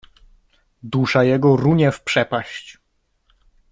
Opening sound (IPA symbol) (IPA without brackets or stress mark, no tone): d̪